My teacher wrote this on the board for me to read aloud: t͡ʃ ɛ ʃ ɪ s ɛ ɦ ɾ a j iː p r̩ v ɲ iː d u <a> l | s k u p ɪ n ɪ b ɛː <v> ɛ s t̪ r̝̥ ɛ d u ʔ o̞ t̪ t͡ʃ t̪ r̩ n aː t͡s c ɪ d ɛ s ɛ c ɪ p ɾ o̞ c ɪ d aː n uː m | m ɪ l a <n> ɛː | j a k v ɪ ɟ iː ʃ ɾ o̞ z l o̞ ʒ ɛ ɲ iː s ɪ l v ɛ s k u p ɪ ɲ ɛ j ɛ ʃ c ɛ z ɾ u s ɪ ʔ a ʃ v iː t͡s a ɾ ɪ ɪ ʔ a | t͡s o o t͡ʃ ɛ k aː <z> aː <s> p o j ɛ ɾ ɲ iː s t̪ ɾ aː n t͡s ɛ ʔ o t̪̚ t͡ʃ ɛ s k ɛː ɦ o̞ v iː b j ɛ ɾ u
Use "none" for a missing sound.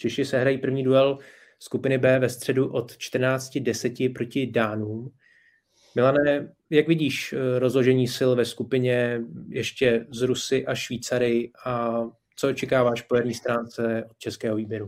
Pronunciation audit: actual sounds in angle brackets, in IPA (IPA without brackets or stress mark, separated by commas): ɛ, v, n, v, ʃ